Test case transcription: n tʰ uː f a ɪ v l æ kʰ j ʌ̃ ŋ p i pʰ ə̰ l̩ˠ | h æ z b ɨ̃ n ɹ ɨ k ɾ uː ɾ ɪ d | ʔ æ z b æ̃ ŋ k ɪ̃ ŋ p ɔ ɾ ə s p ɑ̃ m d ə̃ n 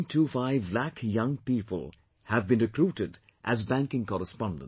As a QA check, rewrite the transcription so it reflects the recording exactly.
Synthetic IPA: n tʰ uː f a ɪ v l æ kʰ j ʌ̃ ŋ p i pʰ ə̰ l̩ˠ | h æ v b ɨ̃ n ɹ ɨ k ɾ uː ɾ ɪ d | ʔ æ z b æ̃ ŋ k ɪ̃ ŋ k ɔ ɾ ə s p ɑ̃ n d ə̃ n